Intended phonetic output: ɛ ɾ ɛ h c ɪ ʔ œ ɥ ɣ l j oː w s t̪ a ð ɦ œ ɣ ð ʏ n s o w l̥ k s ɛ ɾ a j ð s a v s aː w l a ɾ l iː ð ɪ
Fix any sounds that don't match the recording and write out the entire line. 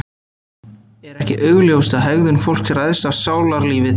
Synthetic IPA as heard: ɛ ɾ ɛ h c ɪ ʔ œ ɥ ɣ l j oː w s t̪ a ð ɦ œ ɣ ð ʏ n f o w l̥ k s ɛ ɾ a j ð s a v s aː w l a ɾ l iː v ɪ